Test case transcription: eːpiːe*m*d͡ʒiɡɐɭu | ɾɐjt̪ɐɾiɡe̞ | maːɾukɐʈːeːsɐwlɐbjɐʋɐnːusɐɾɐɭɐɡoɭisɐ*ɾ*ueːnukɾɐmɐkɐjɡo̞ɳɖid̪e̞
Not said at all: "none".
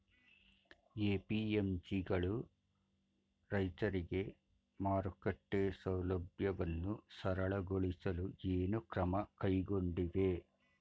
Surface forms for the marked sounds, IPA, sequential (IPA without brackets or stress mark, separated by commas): m, l